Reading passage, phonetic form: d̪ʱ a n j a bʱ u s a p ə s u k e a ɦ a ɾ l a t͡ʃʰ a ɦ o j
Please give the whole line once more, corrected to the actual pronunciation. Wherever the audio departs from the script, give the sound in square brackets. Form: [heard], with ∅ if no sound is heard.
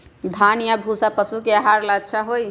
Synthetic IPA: d̪ʱ a n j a bʱ u s a p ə s u k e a ɦ a ɾ l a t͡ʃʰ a ɦ o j